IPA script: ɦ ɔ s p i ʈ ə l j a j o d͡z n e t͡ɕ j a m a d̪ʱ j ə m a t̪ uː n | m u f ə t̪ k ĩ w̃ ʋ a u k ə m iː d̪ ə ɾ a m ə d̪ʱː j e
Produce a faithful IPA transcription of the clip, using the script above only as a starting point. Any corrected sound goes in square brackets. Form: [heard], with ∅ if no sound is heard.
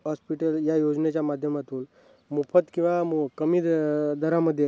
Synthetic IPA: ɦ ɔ s p i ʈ ə l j a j o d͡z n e t͡ɕ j a m a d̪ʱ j ə m a t̪ uː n | m u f ə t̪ k ĩ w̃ ʋ a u k ə m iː d̪ ə ɾ a m ə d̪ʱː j e

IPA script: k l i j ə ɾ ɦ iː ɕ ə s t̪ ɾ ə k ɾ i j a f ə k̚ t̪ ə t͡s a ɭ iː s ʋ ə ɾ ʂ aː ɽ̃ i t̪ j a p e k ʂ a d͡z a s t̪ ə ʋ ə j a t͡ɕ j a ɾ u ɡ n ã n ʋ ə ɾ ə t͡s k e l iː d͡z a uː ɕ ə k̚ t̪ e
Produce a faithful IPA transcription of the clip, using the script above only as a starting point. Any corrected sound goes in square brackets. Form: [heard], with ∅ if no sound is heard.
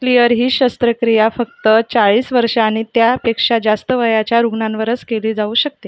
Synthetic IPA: k l i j ə ɾ ɦ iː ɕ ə s t̪ ɾ ə k ɾ i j a f ə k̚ t̪ ə t͡s a ɭ iː s ʋ ə ɾ ʂ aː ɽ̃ i t̪ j a p e k ʂ a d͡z a s t̪ ə ʋ ə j a t͡ɕ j a ɾ u ɡ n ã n ʋ ə ɾ ə t͡s k e l iː d͡z a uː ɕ ə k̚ t̪ e

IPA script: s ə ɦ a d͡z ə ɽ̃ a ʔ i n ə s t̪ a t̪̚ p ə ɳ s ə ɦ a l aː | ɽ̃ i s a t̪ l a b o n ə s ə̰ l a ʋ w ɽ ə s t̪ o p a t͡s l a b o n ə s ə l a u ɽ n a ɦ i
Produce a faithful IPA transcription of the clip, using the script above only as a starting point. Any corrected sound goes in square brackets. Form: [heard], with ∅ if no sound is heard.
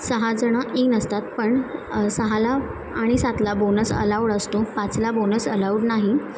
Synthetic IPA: s ə ɦ a d͡z ə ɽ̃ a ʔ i n ə s t̪ a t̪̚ p ə ɳ s ə ɦ a l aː | ɽ̃ i s a t̪ l a b o n ə s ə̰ l a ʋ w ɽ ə s t̪ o p a t͡s l a b o n ə s ə l a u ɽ n a ɦ i

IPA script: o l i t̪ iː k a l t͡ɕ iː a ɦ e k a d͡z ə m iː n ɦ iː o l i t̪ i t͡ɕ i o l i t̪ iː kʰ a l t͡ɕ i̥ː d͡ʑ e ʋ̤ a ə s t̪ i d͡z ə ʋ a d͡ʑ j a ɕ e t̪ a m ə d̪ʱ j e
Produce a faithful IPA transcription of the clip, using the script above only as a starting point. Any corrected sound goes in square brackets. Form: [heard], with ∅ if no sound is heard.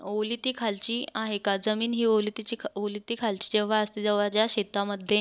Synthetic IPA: o l i t̪ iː [kʰ] a l t͡ɕ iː a ɦ e k a d͡z ə m iː n ɦ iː o l i t̪ i t͡ɕ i o l i t̪ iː kʰ a l t͡ɕ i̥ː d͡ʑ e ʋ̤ a ə s t̪ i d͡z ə ʋ a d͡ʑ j a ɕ e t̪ a m ə d̪ʱ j e

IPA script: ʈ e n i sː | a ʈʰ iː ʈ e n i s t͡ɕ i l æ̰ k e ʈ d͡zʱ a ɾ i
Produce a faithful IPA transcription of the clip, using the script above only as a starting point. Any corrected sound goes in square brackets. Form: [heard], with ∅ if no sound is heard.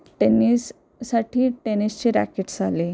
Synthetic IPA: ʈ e n i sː | a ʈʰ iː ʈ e n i s t͡ɕ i [ɾ] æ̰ k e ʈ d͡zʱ a [l] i

